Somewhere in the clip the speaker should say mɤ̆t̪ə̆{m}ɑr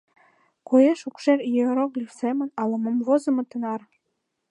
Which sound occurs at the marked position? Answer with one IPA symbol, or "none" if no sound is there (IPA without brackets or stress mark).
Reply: n